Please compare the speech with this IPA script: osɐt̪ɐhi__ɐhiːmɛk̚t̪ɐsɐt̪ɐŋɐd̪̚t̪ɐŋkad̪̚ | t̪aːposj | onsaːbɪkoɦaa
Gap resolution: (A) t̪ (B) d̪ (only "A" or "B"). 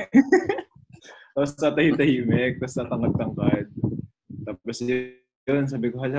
A